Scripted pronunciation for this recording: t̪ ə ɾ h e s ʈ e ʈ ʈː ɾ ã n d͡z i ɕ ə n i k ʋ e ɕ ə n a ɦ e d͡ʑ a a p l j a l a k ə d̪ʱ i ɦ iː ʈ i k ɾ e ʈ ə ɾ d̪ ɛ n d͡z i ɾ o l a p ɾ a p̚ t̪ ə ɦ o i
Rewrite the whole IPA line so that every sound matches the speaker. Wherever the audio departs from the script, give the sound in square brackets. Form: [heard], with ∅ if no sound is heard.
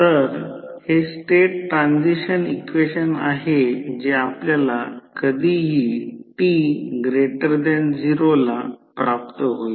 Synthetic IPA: t̪ ə ɾ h e s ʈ e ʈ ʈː ɾ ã n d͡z i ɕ ə n i k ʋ e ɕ ə n a ɦ e d͡ʑ [e] a p l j a l a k ə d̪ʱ i ɦ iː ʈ i [ɡ] ɾ e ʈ ə ɾ d̪ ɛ n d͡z i ɾ o l a p ɾ a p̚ t̪ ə ɦ o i